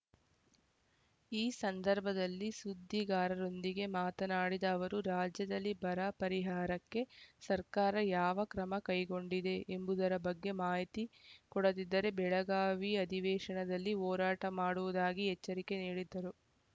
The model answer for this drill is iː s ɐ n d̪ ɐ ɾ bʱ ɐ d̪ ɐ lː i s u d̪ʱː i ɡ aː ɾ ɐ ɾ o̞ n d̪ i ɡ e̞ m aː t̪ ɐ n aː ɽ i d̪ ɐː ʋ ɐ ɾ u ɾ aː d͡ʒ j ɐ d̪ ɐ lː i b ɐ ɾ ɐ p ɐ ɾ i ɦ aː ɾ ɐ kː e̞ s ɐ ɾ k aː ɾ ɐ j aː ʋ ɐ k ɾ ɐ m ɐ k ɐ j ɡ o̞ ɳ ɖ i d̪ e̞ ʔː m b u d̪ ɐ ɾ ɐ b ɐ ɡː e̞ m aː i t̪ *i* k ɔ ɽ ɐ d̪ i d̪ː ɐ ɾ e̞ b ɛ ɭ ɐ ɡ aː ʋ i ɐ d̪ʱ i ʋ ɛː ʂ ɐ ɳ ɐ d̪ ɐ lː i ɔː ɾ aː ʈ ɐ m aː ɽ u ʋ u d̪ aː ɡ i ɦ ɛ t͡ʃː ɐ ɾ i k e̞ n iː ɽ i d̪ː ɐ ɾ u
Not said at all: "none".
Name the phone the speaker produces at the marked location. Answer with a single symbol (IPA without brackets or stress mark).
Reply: i